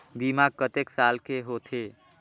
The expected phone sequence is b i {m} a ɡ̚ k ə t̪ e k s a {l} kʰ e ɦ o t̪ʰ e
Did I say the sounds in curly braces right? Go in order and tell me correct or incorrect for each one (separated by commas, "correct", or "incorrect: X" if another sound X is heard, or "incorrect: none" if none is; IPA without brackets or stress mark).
correct, correct